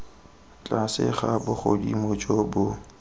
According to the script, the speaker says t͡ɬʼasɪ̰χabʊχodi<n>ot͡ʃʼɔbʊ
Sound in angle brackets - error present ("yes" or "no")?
yes